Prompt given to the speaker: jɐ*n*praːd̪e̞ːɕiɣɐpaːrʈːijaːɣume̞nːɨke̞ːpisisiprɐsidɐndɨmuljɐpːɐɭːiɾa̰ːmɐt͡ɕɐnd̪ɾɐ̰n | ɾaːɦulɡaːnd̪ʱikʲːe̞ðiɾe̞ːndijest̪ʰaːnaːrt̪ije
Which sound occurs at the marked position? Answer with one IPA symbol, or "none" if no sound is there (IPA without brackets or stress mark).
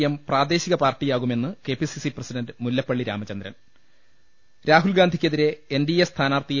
m